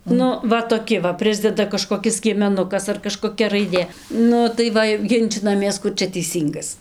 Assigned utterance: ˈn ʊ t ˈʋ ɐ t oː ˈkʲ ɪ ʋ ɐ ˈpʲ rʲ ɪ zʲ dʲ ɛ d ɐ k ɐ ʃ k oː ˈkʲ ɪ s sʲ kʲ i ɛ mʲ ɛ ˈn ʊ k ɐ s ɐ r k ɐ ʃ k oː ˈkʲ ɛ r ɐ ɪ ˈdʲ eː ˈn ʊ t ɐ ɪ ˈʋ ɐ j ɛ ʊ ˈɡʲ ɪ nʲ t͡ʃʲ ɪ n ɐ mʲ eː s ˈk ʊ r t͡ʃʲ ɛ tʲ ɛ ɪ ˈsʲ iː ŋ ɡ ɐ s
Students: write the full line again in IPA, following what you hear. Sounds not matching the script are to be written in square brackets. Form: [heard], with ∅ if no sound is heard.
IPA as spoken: ˈn ʊ [∅] ˈʋ ɐ t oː ˈkʲ ɪ ʋ ɐ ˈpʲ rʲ ɪ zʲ dʲ ɛ d ɐ k ɐ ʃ k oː ˈkʲ ɪ s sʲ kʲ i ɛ mʲ ɛ ˈn ʊ k ɐ s ɐ r k ɐ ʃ k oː ˈkʲ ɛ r ɐ ɪ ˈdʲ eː ˈn ʊ t ɐ ɪ ˈʋ ɐ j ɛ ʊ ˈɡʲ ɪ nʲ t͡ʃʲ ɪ n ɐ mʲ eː s ˈk ʊ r t͡ʃʲ ɛ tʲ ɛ ɪ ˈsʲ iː ŋ ɡ ɐ s